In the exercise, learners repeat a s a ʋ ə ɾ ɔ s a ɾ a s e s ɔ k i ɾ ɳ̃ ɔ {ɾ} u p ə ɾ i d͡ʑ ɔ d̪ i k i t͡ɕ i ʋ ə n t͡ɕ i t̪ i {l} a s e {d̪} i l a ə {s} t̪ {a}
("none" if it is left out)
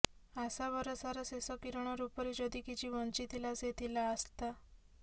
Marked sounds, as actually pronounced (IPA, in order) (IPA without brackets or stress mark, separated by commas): ɾ, l, t̪, s, a